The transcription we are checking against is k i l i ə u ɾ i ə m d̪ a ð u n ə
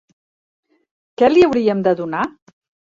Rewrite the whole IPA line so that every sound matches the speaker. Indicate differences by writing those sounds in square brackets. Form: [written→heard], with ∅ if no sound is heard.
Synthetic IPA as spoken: k [i→ɛ] l i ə [u→w] ɾ i ə m d̪ [a→ə] ð u n [ə→a]